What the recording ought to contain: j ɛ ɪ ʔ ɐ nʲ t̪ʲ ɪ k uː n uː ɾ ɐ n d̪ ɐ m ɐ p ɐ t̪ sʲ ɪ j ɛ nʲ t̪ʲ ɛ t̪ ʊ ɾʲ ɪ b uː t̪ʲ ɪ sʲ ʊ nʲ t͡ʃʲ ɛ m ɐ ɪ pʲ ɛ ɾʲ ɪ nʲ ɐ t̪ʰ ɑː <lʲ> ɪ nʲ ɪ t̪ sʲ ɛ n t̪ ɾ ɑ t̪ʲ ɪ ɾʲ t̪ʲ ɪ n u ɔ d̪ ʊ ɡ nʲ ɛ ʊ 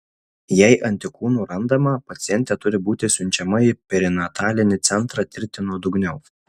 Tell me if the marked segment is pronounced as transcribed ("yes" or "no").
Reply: yes